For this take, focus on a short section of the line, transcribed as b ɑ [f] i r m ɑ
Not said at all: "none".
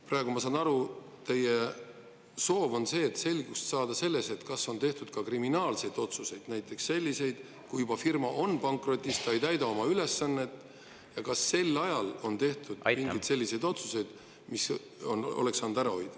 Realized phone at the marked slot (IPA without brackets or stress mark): f